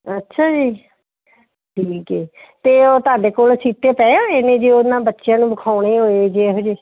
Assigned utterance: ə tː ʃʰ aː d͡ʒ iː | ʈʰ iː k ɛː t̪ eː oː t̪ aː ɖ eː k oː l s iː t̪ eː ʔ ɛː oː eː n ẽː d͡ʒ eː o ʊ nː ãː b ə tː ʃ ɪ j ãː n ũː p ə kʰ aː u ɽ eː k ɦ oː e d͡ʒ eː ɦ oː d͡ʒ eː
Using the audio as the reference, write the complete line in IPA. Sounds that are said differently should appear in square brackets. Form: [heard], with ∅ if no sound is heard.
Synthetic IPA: ə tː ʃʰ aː d͡ʒ iː | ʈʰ iː k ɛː t̪ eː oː t̪ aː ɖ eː k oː l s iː t̪ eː [p] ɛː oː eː n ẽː d͡ʒ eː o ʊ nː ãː b ə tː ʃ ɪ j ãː n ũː [b] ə kʰ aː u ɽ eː [∅] ɦ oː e d͡ʒ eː ɦ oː d͡ʒ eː